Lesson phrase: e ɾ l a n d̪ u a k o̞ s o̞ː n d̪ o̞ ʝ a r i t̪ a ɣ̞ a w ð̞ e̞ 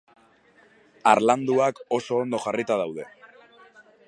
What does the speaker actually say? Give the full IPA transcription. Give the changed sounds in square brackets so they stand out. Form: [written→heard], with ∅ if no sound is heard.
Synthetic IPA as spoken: [e→a] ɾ l a n d̪ u a k o̞ s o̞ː n d̪ o̞ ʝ a r i t̪ a [ɣ̞→ð̞] a w ð̞ e̞